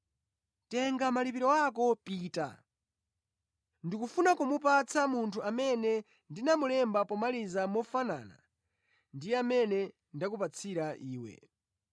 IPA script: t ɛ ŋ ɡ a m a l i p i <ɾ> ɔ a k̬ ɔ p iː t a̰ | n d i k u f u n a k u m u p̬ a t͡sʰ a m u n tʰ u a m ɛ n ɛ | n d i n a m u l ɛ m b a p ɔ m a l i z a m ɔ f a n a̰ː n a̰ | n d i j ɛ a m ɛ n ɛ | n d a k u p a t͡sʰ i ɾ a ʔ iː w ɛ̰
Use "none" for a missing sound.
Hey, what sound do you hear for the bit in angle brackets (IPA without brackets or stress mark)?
ɾ